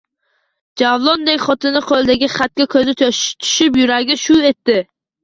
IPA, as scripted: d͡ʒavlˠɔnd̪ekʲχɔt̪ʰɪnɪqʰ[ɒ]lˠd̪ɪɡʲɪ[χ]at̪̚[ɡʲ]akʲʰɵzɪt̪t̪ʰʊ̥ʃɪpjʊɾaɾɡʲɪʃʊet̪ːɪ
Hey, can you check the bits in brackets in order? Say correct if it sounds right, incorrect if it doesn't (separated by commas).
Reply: incorrect, correct, incorrect